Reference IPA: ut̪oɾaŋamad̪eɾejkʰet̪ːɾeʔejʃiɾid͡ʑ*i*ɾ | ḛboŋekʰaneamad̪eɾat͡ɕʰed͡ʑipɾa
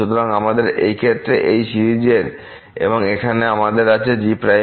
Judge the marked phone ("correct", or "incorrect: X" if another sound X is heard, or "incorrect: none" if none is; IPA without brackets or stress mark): incorrect: e